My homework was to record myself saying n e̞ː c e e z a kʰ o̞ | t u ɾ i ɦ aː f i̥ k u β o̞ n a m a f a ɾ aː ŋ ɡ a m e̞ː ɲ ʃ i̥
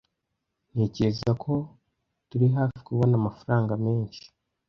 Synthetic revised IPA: n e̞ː c e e z a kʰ o̞ | t u ɾ i ɦ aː f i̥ k u β o̞ n a m a f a ɾ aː ŋ ɡ a m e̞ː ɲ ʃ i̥

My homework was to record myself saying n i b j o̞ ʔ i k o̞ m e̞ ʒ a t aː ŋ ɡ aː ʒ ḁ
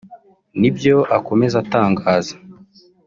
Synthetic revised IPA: n i b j o̞ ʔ a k o̞ m e̞ z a t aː ŋ ɡ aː z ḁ

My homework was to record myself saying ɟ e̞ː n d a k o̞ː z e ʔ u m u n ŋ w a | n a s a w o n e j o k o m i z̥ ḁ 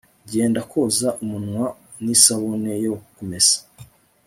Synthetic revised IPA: ɟ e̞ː n d a k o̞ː z a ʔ u m u n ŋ w a | n i s a β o n e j o k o m e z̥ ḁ

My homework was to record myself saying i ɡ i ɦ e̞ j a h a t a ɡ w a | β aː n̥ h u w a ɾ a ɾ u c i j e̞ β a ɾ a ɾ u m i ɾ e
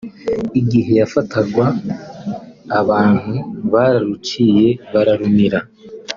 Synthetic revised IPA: i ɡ i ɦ e̞ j a f a t a ɡ w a | β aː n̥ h u β a ɾ a ɾ u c i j e̞ β a ɾ a ɾ u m i ɾ a

